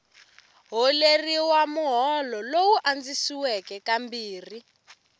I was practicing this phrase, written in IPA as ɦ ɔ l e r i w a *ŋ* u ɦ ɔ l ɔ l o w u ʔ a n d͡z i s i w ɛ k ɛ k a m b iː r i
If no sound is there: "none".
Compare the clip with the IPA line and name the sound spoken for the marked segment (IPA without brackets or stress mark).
m